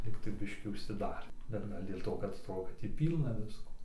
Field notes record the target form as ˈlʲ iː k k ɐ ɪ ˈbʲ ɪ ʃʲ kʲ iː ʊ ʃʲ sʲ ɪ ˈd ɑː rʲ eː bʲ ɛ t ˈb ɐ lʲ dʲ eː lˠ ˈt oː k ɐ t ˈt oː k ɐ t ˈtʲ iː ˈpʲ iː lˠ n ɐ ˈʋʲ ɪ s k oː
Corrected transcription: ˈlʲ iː k t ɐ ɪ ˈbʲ ɪ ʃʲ kʲ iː ʊ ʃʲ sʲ ɪ ˈd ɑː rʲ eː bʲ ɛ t ˈɡ ɐ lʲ dʲ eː lˠ ˈt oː k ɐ t ˈt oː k ɐ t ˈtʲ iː ˈpʲ iː lˠ n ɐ ˈʋʲ ɪ s k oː